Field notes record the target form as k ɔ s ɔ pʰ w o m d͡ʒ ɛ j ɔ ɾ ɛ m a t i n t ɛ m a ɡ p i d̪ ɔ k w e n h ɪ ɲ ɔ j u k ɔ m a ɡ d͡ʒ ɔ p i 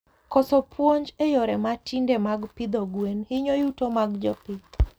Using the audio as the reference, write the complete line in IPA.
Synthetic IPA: k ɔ s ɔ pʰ w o ɲ d͡ʒ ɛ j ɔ ɾ ɛ m a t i n d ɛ m a ɡ p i d̪ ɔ ɡ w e n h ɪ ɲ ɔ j u t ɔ m a ɡ d͡ʒ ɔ p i